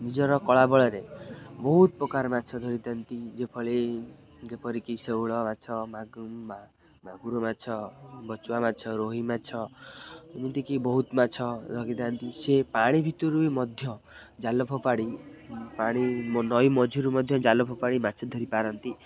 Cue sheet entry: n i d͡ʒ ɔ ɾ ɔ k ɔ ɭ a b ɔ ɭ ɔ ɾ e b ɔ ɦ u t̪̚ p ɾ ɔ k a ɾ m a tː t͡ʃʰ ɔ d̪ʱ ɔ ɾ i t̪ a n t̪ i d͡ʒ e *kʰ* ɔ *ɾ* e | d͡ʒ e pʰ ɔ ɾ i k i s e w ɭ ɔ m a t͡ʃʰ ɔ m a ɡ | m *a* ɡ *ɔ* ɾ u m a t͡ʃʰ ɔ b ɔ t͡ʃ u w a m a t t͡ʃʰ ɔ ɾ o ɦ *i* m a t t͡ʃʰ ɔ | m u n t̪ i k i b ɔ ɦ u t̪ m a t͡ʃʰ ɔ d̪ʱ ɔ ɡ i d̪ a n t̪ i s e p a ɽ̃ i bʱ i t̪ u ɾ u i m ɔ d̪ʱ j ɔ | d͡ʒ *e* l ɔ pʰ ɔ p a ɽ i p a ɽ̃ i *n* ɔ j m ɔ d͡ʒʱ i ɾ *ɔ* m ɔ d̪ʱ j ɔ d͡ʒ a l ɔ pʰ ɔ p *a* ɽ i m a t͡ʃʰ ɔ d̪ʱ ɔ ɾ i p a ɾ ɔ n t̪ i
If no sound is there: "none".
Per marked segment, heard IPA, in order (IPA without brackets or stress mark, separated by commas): pʰ, ɭ, a, u, i, a, n, u, a